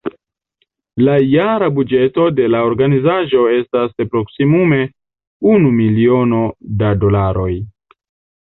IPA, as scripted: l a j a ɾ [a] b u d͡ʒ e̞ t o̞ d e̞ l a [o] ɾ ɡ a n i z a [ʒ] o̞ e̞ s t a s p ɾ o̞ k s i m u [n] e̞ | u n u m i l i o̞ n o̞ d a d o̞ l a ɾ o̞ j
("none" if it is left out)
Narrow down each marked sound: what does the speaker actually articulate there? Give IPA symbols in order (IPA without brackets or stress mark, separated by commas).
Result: a, o, ʒ, m